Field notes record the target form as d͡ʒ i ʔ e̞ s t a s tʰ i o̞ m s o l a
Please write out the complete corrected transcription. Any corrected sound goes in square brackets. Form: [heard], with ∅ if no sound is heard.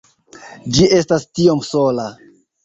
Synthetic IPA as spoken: d͡ʒ i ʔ e̞ s t a s [t] i o̞ m s o l a